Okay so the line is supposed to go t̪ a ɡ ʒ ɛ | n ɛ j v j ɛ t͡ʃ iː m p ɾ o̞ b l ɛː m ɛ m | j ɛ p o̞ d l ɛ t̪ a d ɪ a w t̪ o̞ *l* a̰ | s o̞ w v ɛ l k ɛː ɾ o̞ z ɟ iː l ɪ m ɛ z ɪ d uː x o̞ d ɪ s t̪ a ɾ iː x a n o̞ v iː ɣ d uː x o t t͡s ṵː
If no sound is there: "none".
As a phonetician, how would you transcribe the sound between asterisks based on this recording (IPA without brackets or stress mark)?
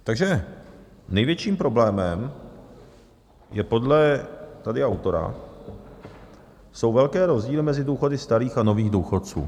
ɾ